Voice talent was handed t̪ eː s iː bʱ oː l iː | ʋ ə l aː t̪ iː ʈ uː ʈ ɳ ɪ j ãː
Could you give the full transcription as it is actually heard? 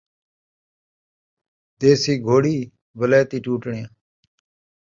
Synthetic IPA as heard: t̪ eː s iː ɡʱ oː ɽ iː | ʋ ə l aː t̪ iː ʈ uː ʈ ɳ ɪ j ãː